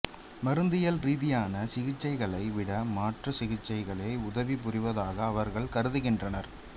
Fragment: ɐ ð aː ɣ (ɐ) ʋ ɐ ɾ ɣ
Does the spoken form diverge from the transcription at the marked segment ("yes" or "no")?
yes